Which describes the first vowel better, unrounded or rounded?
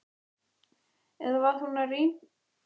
unrounded